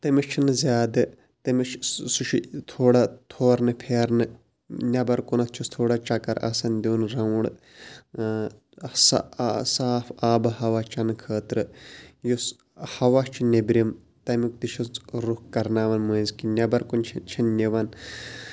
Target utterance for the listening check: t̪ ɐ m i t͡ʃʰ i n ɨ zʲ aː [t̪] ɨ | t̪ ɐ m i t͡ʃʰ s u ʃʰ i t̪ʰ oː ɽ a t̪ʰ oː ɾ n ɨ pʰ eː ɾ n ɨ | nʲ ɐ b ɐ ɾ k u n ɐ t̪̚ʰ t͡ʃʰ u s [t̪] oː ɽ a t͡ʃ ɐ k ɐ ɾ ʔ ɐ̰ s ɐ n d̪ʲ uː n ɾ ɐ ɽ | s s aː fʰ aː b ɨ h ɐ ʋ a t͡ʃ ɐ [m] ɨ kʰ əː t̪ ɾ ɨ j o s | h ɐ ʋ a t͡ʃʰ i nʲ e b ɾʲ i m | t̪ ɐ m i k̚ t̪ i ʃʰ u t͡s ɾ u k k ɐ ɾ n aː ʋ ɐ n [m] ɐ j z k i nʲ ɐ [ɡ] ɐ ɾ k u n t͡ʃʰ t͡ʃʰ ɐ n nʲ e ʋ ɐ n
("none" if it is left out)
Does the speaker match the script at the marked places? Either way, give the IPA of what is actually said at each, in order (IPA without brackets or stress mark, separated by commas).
d̪, t̪ʰ, n, m, b